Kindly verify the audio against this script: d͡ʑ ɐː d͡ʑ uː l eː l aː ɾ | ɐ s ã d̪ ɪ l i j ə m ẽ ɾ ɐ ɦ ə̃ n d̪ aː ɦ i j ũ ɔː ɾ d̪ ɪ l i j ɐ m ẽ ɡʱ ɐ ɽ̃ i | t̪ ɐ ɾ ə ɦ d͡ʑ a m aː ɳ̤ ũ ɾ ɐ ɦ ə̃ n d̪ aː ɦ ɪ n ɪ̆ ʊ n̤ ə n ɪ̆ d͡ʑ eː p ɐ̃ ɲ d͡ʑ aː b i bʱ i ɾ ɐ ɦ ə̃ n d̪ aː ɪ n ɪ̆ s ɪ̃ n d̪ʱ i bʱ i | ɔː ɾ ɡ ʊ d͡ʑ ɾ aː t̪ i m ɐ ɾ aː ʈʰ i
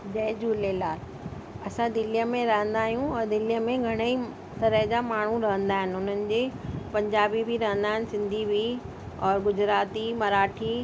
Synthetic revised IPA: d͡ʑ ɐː d͡ʑ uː l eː l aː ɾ | ɐ s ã d̪ ɪ l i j ə m ẽ ɾ ɐ ɦ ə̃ n d̪ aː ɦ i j ũ ɔː ɾ d̪ ɪ l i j ə m ẽ ɡʱ ɐ ɽ̃ i | t̪ ɐ ɾ ə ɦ d͡ʑ a m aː ɳ̤ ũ ɾ ɐ ɦ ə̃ n d̪ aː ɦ ɪ n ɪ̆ ʊ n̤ ə n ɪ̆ d͡ʑ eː p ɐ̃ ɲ d͡ʑ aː b i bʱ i ɾ ɐ ɦ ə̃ n d̪ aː ɪ n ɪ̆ s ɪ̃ n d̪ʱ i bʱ i | ɔː ɾ ɡ ʊ d͡ʑ ɾ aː t̪ i m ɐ ɾ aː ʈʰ i